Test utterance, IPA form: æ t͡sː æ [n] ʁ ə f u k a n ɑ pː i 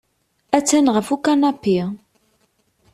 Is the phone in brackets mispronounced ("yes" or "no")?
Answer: no